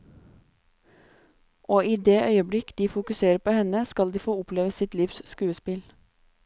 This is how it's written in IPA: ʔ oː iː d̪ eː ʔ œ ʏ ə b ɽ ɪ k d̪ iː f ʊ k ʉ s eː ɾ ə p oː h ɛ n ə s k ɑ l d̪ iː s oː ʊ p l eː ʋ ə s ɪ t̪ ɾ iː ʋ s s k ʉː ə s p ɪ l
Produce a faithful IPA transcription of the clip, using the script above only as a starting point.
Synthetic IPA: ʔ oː iː d̪ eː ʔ œ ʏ ə b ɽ ɪ k d̪ iː f ʊ k ʉ s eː ɾ ə p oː h ɛ n ə s k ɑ l d̪ iː f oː ʊ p l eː ʋ ə s ɪ t̪ l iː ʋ s s k ʉː ə s p ɪ l